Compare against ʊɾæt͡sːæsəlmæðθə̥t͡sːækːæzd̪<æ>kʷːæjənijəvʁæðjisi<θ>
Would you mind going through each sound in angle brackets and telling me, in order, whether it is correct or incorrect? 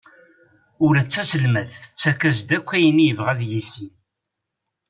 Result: correct, incorrect: none

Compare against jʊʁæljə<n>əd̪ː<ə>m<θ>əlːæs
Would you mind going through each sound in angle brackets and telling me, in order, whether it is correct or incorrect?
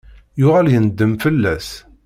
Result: correct, correct, incorrect: f

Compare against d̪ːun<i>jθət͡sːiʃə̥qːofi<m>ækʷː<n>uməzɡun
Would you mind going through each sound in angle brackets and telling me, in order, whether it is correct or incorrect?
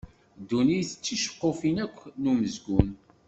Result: correct, incorrect: n, correct

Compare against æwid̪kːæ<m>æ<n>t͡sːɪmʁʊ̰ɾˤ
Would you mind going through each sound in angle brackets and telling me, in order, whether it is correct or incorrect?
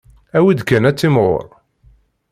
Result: incorrect: n, incorrect: none

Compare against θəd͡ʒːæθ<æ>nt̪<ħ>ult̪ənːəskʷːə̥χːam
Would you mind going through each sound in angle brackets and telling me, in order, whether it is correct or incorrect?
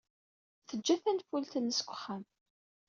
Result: correct, incorrect: f

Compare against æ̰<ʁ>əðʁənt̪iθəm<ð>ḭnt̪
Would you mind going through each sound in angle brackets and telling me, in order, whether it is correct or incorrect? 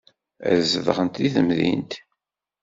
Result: incorrect: z, correct

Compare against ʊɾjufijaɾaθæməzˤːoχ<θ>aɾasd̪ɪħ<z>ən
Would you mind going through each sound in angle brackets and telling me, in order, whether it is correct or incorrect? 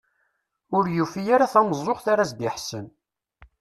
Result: correct, incorrect: s

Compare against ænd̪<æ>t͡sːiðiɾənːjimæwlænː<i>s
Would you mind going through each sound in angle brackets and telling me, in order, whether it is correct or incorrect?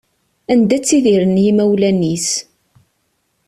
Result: correct, correct

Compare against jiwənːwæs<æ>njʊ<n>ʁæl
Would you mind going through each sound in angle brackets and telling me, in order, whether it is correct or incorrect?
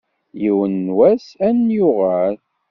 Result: correct, incorrect: none

